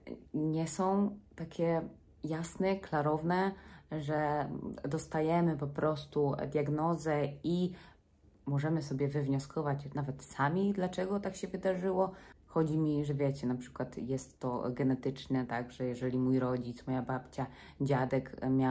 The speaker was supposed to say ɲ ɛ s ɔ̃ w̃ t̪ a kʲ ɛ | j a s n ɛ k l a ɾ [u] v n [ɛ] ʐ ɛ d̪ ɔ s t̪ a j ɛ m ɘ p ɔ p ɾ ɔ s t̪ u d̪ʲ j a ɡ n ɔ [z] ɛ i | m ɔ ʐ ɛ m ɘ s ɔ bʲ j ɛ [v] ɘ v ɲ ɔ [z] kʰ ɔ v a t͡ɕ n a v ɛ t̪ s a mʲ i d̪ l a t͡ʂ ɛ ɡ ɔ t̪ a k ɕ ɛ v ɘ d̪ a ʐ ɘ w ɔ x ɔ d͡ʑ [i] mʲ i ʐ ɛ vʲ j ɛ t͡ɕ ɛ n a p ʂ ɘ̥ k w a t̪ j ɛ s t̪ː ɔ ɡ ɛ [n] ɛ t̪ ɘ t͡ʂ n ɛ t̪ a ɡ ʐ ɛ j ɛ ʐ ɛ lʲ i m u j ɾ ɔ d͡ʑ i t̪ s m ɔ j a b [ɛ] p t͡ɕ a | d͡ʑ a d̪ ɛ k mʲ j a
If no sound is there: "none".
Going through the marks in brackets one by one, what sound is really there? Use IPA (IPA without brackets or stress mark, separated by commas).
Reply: ɔ, ɛ, z, v, s, i, n, a